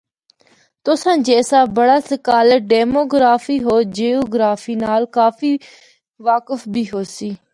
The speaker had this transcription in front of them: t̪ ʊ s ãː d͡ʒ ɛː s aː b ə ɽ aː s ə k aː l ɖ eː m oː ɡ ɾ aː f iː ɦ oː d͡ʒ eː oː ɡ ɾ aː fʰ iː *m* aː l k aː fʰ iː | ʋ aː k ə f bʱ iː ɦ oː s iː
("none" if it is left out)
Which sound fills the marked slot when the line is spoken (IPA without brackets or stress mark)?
n